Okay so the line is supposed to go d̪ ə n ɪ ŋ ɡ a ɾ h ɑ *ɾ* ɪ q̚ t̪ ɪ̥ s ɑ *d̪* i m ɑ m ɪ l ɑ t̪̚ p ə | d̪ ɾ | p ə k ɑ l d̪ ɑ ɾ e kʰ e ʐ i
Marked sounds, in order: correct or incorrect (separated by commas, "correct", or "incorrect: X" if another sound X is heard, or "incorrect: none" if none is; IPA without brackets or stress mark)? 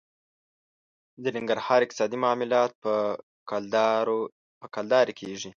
correct, correct